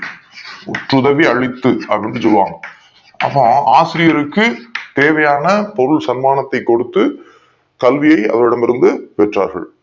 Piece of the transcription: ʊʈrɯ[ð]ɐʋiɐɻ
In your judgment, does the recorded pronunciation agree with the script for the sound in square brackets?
yes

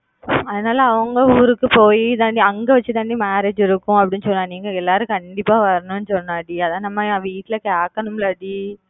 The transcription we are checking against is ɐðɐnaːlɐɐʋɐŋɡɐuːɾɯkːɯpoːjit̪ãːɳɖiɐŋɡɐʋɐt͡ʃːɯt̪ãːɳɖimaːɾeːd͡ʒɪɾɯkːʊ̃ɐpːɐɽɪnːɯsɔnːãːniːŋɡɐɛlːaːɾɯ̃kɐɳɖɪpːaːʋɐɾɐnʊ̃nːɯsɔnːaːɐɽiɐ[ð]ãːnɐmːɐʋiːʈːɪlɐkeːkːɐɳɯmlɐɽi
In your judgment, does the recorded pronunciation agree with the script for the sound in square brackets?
yes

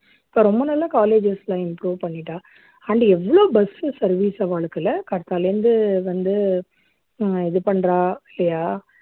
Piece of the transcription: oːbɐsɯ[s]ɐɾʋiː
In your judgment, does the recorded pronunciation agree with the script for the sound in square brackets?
yes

